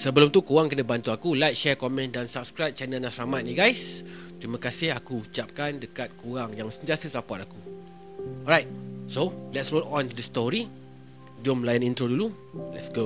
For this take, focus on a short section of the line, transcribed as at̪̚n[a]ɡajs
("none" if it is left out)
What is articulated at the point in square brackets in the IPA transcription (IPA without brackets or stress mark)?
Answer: i